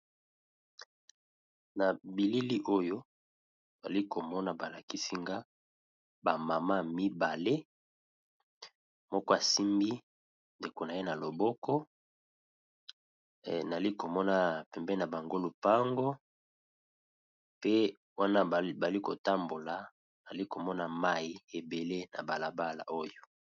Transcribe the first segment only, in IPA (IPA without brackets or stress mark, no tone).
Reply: n